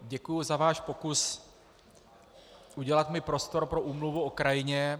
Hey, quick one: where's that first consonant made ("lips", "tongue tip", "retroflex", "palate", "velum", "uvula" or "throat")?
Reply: palate